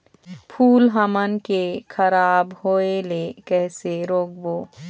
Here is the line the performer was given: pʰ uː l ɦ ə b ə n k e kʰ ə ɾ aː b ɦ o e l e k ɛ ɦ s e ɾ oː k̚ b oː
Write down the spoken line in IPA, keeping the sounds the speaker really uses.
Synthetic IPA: pʰ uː l ɦ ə m ə n k e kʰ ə ɾ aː b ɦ o e l e k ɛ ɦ s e ɾ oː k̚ b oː